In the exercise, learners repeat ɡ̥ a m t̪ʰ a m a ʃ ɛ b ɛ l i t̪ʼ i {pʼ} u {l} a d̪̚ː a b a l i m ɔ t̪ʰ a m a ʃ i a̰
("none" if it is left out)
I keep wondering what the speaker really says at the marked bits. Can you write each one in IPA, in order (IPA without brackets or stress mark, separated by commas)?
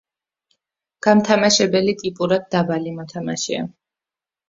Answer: pʼ, ɾ